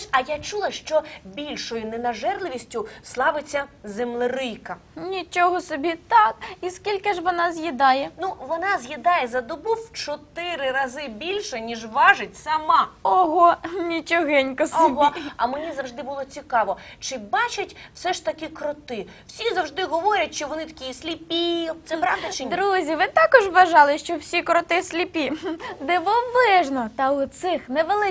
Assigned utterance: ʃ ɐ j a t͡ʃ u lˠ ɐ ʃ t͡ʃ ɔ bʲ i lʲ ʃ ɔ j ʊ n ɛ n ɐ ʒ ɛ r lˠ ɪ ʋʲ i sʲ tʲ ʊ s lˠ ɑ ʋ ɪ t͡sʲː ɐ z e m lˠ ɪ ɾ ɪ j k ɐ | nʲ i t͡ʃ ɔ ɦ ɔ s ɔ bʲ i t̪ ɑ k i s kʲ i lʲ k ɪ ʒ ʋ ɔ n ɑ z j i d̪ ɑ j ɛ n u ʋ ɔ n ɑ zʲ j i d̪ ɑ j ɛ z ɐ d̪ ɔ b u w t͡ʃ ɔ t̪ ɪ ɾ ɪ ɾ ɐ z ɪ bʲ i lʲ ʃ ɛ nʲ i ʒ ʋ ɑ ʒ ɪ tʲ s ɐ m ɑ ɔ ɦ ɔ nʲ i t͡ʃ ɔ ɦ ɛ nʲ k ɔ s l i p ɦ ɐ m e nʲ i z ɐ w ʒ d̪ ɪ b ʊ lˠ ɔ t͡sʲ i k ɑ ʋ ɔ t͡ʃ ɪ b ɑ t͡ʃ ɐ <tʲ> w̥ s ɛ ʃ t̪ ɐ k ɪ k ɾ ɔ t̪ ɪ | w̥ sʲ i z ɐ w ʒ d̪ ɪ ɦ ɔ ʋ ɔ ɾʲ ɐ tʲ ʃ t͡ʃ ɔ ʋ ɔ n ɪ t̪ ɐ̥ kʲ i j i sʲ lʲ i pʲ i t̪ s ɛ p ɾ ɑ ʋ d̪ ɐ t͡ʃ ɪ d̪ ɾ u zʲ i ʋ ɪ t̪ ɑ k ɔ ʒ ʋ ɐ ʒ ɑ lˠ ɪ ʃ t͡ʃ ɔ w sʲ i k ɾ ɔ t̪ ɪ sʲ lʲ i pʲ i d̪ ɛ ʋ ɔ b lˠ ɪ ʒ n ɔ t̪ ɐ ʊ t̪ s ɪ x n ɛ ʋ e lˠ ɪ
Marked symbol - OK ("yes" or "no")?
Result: yes